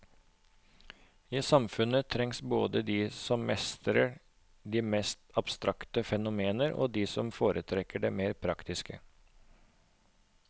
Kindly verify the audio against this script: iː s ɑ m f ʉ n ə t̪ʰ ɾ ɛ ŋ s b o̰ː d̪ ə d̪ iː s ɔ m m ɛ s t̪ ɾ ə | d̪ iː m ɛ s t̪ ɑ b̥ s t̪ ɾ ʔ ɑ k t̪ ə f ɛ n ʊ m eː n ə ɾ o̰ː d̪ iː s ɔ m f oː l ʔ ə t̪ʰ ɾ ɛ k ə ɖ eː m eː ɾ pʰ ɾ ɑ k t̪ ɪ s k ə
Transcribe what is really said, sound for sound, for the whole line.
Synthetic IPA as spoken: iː s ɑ m f ʉ n ə t̪ʰ ɾ ɛ ŋ s b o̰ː d̪ ə d̪ iː s ɔ m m ɛ s t̪ ɾ ə | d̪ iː m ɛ s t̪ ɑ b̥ s t̪ ɾ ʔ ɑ k t̪ ə f ɛ n ʊ m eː n ə ɾ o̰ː d̪ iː s ɔ m f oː ɾ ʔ ə t̪ʰ ɾ ɛ k ə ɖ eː m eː ɾ pʰ ɾ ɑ k t̪ ɪ s k ə

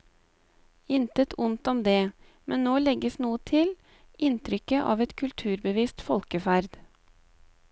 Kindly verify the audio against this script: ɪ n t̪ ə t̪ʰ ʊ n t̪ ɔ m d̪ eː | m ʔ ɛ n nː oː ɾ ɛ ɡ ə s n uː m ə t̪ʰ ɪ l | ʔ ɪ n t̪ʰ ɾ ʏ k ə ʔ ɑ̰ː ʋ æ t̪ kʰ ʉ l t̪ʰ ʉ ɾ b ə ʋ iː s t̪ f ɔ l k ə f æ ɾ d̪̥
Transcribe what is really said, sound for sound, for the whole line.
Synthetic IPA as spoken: ɪ n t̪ ə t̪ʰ ʊ n t̪ ɔ m d̪ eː | m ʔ ɛ n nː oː l ɛ ɡ ə s n uː ə t̪ʰ ɪ l | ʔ ɪ n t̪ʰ ɾ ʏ k ə ʔ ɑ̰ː ʋ ɛ t̪ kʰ ʉ l t̪ʰ ʉː ɾ b ə ʋ iː s t̪ f ɔ l k ə f æ ɾ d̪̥

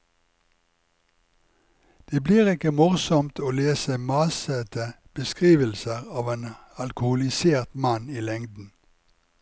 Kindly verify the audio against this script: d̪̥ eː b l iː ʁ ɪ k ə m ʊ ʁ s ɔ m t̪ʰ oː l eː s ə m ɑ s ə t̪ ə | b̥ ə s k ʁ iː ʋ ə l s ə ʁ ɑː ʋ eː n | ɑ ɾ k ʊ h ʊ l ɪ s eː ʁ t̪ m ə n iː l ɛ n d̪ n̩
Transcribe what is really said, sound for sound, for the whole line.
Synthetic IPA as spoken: d̪̥ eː b l iː ʁ ɪ k ə m ʊ ʁ s ɔ m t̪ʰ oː l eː s ə m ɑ s ə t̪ ə | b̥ ə s k ʁ iː ʋ ə l s ə ʁ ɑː ʋ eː n | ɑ l k ʊ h ʊ l ɪ s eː ʁ t̪ m ɑ n iː l ɛ ŋ d̪ n̩

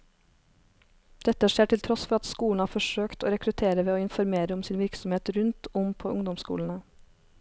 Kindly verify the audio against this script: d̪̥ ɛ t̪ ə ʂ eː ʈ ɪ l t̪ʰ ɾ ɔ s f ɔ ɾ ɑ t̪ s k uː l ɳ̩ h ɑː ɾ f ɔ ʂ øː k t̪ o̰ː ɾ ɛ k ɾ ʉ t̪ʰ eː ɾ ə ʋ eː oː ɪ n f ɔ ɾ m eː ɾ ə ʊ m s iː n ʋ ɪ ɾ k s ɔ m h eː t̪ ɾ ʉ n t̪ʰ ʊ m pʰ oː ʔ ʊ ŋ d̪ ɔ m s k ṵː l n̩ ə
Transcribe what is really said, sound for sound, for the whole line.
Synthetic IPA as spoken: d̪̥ ɛ t̪ ə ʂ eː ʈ ɪ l t̪ʰ ɾ ɔ s f ɔ ɾ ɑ t̪ s k uː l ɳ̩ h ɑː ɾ f ɔ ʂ øː k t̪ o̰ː ɾ ɛ k ɾ ʉ t̪ʰ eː ɾ ə ʋ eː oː ɪ n f ɔ ɾ m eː ɾ ə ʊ m s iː n ʋ ɪ ɾ k s ɔ m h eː t̪ ɾ ʉ n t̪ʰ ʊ m pʰ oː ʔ ʊ ŋ d̪ ɔ m s k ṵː l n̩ ə

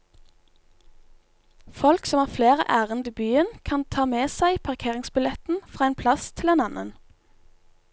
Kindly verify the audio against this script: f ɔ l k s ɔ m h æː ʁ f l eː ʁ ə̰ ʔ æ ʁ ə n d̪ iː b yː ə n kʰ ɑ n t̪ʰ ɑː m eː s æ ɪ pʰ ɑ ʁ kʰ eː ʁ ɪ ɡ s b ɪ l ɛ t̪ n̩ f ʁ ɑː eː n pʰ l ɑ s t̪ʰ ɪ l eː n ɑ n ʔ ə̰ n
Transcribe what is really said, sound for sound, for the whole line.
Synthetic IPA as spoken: f ɔ l k s ɔ m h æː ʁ f l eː ʁ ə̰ ʔ æː ʁ ə n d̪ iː b yː ə n kʰ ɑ n t̪ʰ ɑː m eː s æ ɪ pʰ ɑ ʁ kʰ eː ʁ ɪ ŋ s b ɪ l ɛ t̪ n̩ f ʁ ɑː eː n pʰ l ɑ s t̪ʰ ɪ l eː n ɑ n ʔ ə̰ n

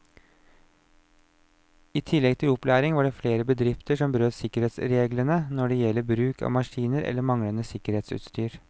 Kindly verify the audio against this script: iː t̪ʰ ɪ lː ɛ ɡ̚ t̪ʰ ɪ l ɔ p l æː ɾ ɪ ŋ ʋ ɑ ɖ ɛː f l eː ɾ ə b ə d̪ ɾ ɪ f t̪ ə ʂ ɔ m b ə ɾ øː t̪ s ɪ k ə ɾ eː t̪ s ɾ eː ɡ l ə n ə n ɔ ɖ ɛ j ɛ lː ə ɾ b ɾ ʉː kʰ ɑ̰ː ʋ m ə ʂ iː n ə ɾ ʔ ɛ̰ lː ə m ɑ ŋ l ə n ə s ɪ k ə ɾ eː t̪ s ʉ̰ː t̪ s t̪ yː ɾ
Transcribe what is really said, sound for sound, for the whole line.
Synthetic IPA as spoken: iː t̪ʰ ɪ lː ɛ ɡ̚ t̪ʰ ɪ l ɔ p l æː ɾ ɪ ŋ ʋ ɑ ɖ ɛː f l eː ɾ ə b ə d̪ ɾ ɪ f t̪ ə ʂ ɔ m b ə ɾ øː t̪ s ɪ k ə ɾ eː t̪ s ɾ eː ɡ l ə n ə n ɔ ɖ ɛ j ɛ lː ə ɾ b ɾ ʉː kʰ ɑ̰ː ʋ m ɑ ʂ iː n ə ɾ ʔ ɛ̰ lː ə m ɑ ŋ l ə n ə s ɪ k ə ɾ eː t̪ s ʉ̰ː t̪ s t̪ yː ɾ

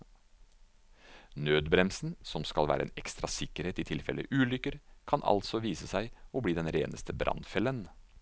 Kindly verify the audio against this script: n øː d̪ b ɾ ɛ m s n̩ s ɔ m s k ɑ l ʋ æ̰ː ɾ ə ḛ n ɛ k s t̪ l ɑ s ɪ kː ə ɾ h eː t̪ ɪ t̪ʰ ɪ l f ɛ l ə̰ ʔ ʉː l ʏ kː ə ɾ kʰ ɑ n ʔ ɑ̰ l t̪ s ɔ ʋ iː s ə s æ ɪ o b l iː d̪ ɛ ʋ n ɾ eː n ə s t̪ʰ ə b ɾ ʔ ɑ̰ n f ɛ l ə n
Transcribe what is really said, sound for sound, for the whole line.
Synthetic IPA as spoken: n øː d̪ b ɾ ɛ m s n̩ s ɔ m s k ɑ l ʋ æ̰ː ɾ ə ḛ n ɛ k s t̪ ɾ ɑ s ɪ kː ə ɾ h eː t̪ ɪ t̪ʰ ɪ l f ɛ l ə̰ ʔ ʉː l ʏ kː ə ɾ kʰ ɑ n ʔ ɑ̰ l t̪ s ɔ ʋ iː s ə s æ ɪ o b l iː d̪ ɛ n ɾ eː n ə s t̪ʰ ə b ɾ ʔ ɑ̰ n f ɛ l ə n

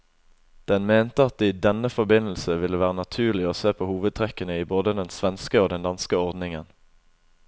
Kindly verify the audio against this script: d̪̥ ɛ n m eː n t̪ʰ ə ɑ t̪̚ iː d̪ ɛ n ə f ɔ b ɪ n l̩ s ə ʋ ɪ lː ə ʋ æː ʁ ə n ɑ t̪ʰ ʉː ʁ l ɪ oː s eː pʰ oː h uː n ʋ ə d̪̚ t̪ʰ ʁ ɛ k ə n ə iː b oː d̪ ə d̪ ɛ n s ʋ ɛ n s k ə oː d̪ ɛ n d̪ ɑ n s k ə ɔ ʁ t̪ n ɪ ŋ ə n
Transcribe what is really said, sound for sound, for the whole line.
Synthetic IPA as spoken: d̪̥ ɛ n m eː n t̪ ə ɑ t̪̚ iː d̪ ɛ n ə f ɔ b ɪ n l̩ s ə ʋ ɪ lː ə ʋ æː ʁ ə n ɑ t̪ʰ ʉː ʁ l ɪ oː s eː pʰ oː h uː ʋ ə d̪̚ t̪ʰ ʁ ɛ k ə n ə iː b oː d̪ ə d̪ ɛ n s ʋ ɛ n s k ə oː d̪ ɛ n d̪ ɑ n s k ə ɔ ʁ d̪ n ɪ ŋ ə n

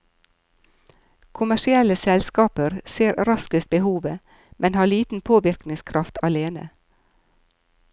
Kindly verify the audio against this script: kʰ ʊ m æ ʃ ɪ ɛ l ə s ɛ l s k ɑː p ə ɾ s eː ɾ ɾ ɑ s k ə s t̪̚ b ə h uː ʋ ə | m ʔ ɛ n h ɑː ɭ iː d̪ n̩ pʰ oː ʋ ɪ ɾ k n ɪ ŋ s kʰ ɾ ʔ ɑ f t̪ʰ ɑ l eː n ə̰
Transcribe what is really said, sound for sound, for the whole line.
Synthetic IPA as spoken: kʰ ʊ m æ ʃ ɪ ɛ l ə s ɛ l s k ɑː p ə ɾ s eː ɾ ɾ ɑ s k ə s t̪̚ b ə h uː ʋ ə | m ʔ ɛ n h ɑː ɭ iː t̪ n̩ pʰ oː ʋ ɪ ɾ k n ɪ ŋ s kʰ ɾ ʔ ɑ f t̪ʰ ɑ l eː n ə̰

